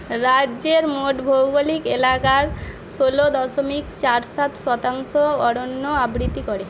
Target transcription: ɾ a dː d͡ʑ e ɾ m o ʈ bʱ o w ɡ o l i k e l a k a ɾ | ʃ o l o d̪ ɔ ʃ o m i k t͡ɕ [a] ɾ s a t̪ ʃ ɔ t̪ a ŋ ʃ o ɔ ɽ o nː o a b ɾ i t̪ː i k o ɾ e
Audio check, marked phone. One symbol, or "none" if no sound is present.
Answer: a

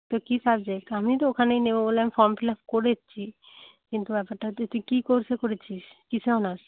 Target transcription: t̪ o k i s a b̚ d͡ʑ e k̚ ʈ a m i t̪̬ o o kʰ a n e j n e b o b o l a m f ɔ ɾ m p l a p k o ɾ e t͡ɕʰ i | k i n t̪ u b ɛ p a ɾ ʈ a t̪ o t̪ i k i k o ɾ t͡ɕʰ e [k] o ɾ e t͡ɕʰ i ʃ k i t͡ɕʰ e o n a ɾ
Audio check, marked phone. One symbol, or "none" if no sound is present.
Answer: k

